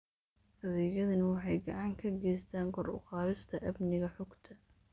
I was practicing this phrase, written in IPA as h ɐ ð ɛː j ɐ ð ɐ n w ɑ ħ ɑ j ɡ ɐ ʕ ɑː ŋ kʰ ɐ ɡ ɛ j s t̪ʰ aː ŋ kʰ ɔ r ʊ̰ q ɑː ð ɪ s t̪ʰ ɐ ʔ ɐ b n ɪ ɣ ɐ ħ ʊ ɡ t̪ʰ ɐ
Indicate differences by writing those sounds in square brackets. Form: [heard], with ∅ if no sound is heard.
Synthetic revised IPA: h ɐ ð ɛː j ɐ ð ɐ n w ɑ ħ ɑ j ɡ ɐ ʕ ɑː ŋ kʰ ɐ ɡ ɛ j s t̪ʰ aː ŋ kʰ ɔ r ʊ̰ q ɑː ð ɪ s t̪ʰ ɐ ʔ ɐ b n ɪ ɣ ɐ ħ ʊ ɡ t̪ʰ ɐ